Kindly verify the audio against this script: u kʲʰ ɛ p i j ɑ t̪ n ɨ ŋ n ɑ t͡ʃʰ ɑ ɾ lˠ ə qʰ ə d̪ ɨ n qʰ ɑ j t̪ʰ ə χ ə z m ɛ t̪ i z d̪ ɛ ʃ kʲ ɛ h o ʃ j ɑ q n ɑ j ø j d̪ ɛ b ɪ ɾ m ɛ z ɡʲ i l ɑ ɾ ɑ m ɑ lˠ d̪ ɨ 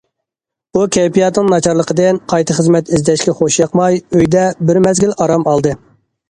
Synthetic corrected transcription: u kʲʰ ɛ p i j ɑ t̪ n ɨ ŋ n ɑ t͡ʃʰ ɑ ɾ lˠ ə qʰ ə d̪ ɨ n qʰ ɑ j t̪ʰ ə χ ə z m ɛ t̪ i z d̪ ɛ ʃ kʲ ɛ χ o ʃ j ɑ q m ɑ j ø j d̪ ɛ b ɪ ɾ m ɛ z ɡʲ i l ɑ ɾ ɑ m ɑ lˠ d̪ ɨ